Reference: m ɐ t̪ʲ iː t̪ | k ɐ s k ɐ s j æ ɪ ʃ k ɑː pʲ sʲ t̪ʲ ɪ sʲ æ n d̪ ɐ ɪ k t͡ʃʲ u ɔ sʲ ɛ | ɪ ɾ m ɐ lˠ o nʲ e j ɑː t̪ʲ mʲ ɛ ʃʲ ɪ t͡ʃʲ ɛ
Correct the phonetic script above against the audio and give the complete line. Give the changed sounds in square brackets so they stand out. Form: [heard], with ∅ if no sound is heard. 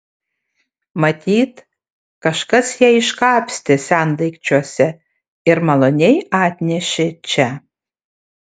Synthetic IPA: m ɐ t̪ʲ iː t̪ | k ɐ [ʃ] k ɐ s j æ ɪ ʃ k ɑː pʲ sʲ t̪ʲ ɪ sʲ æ n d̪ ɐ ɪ k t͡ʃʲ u ɔ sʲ ɛ | ɪ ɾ m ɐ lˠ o nʲ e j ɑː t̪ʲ [nʲ] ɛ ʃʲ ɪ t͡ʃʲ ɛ